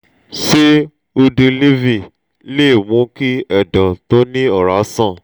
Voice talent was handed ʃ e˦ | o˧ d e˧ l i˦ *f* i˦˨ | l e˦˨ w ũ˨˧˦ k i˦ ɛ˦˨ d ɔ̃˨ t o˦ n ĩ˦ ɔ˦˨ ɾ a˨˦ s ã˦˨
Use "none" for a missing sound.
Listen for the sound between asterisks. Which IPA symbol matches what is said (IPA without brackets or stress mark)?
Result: v